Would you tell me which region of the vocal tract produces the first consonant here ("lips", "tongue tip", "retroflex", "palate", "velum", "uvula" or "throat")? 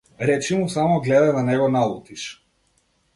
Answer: tongue tip